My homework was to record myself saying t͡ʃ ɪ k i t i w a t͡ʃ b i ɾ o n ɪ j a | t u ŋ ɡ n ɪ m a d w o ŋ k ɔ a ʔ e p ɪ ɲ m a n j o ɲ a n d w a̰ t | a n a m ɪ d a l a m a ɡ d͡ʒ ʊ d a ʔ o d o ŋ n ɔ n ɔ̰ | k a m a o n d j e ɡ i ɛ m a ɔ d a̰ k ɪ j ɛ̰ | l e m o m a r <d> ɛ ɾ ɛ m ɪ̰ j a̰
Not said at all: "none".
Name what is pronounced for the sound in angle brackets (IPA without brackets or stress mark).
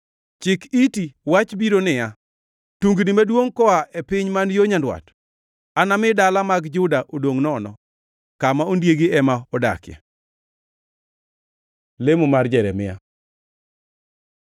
d͡ʒ